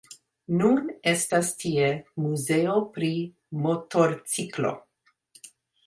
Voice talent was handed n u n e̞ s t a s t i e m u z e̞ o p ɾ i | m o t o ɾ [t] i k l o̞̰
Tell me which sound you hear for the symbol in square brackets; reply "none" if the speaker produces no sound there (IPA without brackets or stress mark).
t͡s